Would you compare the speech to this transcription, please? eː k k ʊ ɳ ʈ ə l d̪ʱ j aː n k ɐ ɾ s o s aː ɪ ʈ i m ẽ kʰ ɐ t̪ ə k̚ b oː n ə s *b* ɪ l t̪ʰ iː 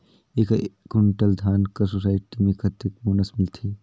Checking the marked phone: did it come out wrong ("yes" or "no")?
yes